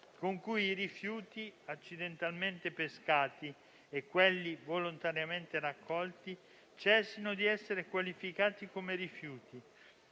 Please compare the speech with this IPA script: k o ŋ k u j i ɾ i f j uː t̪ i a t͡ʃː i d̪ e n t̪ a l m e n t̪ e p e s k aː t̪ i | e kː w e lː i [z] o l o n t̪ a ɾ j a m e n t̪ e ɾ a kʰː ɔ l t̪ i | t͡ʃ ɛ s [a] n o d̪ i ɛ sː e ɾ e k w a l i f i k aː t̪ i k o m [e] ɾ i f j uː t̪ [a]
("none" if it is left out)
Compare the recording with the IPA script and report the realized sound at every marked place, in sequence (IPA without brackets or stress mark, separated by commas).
v, i, e, i